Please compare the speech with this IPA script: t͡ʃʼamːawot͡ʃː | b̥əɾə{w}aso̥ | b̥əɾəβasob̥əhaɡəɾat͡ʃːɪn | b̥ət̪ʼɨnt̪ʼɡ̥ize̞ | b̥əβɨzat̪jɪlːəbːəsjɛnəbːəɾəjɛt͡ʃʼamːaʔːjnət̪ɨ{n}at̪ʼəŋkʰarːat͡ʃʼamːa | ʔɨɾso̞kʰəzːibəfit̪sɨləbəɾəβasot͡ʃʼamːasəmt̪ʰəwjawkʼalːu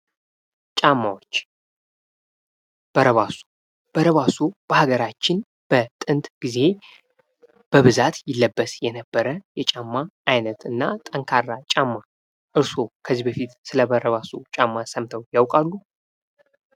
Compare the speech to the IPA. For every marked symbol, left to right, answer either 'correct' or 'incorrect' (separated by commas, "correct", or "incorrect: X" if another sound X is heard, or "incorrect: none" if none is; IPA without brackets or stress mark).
incorrect: β, incorrect: nː